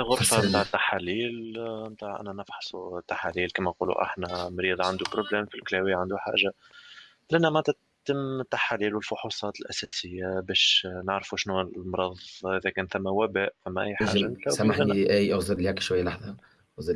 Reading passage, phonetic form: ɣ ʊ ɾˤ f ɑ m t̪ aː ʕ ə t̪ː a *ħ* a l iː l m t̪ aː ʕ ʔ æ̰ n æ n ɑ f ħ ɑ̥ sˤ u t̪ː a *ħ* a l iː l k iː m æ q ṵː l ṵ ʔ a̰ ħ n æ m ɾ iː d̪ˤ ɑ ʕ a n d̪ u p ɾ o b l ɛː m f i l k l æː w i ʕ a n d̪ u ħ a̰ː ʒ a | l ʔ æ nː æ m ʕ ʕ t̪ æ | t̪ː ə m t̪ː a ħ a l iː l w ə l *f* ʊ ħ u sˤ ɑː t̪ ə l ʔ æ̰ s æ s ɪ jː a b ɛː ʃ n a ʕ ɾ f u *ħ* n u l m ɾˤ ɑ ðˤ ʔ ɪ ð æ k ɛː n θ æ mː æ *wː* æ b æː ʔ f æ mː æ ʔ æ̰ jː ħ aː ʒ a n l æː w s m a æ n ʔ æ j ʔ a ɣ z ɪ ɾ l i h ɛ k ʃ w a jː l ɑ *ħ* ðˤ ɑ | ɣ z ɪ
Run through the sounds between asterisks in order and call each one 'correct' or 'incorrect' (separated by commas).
correct, correct, correct, incorrect, incorrect, correct